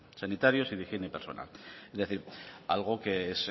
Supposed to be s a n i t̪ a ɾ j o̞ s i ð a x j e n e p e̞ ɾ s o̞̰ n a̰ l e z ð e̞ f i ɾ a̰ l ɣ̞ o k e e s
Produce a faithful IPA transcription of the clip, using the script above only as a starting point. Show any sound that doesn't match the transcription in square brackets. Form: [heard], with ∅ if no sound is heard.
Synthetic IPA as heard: s a n i t̪ a ɾ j o̞ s i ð [i] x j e n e p e̞ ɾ s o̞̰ n a̰ l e z ð e̞ [θ] i ɾ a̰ l ɣ̞ o k e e s